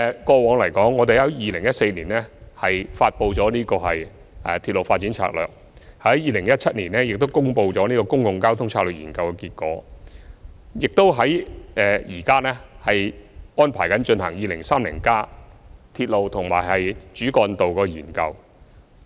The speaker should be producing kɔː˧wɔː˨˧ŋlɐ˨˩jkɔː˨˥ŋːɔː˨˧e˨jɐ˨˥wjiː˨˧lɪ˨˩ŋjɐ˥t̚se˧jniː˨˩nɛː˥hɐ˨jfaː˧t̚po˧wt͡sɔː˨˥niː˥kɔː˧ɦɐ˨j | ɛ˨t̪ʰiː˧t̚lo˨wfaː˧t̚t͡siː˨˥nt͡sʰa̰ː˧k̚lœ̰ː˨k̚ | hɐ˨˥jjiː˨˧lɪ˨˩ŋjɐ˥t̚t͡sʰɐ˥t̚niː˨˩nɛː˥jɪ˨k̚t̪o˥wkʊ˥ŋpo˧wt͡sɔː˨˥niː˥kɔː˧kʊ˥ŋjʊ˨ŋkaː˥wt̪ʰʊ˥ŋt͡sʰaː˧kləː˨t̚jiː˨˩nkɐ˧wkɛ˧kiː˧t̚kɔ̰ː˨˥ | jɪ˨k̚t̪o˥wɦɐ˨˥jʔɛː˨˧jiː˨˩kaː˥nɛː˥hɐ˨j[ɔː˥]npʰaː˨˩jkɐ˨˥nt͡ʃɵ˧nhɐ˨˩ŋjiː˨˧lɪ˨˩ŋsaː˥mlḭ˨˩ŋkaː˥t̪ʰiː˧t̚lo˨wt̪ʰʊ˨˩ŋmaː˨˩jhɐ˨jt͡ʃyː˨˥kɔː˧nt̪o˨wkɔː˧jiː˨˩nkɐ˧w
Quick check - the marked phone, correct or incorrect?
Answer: correct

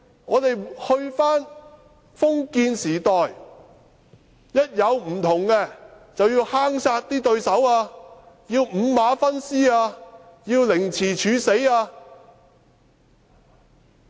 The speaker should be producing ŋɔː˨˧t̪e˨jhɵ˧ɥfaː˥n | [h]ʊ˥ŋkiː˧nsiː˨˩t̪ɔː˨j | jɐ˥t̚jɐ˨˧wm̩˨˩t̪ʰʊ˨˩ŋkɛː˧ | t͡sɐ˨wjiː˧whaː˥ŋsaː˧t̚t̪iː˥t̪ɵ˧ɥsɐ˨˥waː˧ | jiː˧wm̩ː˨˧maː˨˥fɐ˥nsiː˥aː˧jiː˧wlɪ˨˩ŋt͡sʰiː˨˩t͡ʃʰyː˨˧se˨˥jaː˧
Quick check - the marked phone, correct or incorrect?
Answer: incorrect: f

